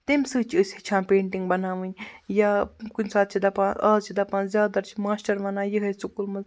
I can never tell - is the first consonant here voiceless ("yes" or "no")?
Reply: yes